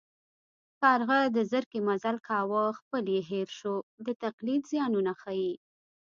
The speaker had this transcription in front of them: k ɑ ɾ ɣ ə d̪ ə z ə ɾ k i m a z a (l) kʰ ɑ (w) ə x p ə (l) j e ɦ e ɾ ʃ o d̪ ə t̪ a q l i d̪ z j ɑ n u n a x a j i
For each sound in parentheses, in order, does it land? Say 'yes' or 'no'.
yes, yes, yes

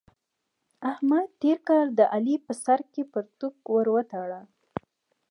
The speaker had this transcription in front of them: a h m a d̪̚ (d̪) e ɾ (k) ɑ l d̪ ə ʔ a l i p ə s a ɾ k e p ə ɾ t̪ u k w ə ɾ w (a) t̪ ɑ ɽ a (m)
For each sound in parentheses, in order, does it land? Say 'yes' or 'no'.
no, yes, no, no

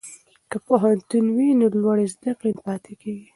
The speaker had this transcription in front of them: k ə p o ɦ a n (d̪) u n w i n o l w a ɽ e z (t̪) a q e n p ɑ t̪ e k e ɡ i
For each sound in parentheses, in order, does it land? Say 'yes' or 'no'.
no, no

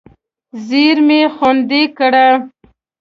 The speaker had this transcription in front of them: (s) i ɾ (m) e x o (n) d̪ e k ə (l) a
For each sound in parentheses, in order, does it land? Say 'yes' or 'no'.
no, yes, yes, no

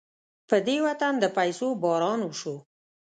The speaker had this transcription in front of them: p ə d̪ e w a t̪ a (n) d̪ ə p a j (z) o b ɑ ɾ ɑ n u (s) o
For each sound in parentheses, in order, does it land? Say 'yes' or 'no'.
yes, no, no

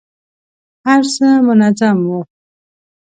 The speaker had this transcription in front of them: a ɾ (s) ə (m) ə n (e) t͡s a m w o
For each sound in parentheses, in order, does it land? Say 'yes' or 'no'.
yes, yes, no

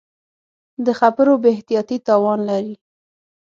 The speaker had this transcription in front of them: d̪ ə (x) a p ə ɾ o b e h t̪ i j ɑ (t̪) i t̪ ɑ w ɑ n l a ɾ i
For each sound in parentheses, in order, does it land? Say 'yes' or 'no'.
yes, yes

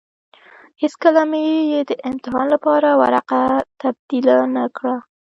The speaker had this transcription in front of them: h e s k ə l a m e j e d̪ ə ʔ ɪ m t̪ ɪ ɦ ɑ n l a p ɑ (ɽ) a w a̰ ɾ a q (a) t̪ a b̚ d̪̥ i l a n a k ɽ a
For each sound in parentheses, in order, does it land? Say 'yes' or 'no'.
no, yes

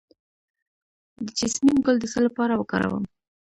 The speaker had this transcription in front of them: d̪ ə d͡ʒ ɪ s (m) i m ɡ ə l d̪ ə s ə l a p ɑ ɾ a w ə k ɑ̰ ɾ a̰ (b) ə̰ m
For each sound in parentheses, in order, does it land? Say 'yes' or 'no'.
yes, no

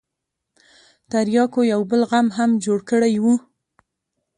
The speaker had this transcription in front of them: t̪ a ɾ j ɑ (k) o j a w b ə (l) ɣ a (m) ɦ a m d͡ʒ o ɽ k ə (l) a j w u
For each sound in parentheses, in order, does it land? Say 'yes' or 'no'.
yes, yes, yes, no

